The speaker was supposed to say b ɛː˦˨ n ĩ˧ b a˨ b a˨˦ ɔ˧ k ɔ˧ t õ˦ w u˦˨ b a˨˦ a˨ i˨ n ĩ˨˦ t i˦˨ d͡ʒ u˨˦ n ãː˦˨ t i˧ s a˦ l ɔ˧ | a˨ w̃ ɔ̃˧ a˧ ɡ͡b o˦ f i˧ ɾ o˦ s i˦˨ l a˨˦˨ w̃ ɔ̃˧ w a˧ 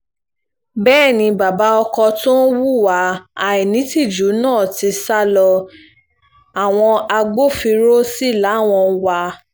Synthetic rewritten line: b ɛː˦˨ n ĩ˧ b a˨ b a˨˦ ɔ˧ k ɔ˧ t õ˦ w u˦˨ w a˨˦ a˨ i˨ n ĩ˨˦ t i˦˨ d͡ʒ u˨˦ n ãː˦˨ t i˧ s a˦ l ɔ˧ | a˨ w̃ ɔ̃˧ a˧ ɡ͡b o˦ f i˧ ɾ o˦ s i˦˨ l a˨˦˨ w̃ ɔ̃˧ w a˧